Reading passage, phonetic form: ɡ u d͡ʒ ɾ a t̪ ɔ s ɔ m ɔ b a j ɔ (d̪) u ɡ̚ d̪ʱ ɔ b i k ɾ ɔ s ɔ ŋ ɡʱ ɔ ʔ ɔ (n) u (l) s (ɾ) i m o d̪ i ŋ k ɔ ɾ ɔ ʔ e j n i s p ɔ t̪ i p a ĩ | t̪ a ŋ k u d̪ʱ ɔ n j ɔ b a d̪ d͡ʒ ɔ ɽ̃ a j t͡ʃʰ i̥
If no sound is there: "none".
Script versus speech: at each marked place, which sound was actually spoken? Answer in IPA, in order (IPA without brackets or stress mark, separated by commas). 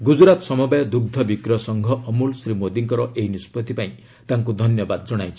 d̪, m, l, ɾ